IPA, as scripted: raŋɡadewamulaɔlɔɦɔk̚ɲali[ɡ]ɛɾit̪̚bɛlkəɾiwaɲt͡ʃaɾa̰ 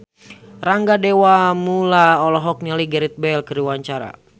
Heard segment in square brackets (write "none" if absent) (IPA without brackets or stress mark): ɡ